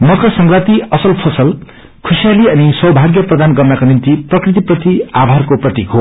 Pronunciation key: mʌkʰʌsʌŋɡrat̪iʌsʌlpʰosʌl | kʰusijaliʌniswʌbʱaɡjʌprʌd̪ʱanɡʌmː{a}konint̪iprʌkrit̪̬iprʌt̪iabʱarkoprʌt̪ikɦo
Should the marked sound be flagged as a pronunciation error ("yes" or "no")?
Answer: no